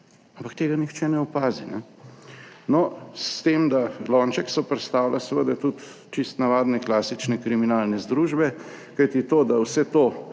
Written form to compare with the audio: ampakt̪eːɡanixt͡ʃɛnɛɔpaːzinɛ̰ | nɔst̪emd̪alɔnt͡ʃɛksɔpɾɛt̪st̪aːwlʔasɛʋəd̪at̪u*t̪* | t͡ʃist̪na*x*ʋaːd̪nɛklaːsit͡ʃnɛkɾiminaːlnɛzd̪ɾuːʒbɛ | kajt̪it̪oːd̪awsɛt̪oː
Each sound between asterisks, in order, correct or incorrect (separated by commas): correct, incorrect